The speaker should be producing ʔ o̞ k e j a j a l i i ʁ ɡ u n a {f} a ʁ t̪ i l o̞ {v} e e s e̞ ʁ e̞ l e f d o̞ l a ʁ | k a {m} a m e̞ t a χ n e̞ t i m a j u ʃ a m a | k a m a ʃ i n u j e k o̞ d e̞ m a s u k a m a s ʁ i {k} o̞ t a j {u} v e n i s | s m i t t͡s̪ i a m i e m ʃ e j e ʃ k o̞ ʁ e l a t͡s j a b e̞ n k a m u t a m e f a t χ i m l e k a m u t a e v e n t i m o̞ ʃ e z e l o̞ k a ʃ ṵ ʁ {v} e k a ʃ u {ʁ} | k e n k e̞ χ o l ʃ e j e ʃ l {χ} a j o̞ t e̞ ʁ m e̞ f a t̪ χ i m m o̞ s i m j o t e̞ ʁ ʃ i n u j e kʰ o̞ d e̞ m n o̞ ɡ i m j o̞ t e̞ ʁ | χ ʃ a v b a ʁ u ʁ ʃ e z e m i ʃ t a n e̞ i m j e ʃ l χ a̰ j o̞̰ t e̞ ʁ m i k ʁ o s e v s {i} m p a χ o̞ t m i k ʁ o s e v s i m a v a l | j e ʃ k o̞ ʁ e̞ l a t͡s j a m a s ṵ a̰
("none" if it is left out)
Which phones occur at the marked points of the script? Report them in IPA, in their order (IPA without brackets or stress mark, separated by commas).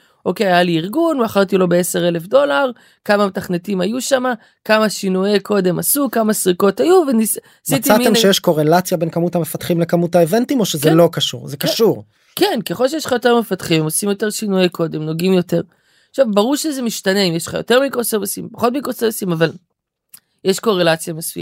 χ, b, m, k, u, z, ʁ, χ, i